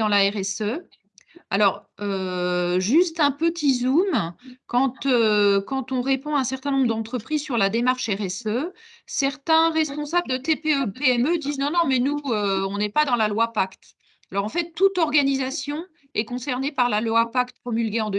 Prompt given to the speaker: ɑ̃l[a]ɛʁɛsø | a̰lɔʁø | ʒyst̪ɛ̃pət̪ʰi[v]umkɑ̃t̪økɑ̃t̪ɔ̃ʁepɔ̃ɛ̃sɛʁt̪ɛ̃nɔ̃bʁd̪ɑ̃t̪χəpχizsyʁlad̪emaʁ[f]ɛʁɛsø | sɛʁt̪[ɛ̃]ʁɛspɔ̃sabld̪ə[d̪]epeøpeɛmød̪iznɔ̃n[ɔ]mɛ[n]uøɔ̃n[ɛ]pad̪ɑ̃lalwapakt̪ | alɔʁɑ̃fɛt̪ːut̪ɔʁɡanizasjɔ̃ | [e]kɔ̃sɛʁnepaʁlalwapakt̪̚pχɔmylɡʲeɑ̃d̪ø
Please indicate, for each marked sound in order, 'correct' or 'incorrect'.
correct, incorrect, incorrect, correct, incorrect, incorrect, correct, correct, incorrect

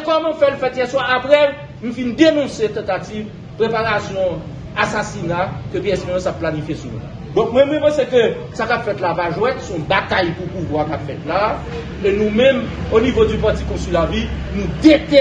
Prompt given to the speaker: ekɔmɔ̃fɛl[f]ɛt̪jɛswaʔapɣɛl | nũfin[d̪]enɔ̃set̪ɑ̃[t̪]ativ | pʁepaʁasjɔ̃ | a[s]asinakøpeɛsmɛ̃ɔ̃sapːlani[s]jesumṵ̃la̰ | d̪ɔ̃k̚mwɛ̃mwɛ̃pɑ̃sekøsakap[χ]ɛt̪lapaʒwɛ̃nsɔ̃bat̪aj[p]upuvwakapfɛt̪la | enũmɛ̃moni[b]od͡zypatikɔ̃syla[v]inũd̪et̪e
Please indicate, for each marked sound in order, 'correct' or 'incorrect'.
correct, correct, correct, correct, incorrect, incorrect, correct, incorrect, correct

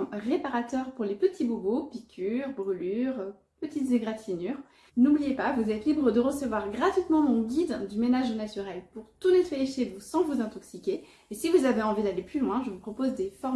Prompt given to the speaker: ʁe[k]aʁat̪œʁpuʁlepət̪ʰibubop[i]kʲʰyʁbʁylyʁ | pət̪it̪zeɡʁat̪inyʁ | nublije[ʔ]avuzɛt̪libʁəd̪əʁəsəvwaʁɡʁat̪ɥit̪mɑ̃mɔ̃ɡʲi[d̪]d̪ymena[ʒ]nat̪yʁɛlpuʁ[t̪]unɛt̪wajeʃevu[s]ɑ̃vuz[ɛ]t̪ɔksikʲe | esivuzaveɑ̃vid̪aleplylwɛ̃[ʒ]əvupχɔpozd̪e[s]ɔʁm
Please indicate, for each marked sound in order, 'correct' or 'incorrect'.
incorrect, correct, incorrect, correct, correct, correct, correct, incorrect, correct, incorrect

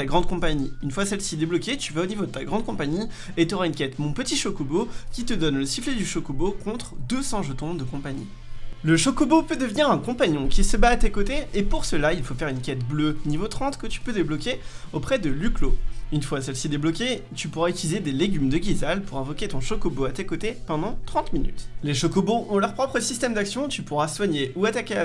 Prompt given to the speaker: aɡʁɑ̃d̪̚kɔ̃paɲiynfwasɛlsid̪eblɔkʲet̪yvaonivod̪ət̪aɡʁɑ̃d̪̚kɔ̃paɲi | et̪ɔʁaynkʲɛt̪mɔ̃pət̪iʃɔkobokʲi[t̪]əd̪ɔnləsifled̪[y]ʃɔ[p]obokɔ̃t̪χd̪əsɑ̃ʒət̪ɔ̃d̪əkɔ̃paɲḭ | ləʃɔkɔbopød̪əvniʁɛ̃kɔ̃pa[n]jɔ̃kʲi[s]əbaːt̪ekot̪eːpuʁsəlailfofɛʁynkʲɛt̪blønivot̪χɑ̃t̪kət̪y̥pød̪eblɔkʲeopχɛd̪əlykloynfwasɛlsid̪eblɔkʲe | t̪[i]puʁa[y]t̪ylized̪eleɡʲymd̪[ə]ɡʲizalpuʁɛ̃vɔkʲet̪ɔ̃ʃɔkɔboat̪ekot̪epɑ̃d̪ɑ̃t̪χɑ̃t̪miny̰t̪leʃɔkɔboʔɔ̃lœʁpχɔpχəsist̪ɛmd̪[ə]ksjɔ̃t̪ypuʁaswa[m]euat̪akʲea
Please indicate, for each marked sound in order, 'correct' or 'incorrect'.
correct, correct, incorrect, incorrect, correct, incorrect, correct, correct, incorrect, incorrect

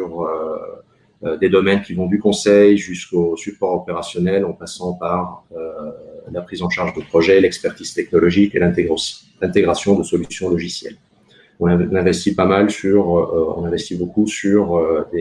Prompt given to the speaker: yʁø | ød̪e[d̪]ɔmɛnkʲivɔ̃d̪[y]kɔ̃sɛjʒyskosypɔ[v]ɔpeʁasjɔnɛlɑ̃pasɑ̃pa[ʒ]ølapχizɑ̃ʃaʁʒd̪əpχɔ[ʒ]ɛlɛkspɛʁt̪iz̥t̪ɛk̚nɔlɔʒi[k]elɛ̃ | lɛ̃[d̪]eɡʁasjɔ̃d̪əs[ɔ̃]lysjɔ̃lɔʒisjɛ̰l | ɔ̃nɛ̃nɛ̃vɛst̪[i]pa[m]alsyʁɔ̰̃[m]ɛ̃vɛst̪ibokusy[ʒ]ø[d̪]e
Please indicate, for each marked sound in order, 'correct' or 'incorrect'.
correct, correct, incorrect, incorrect, correct, correct, incorrect, incorrect, correct, correct, incorrect, incorrect, correct

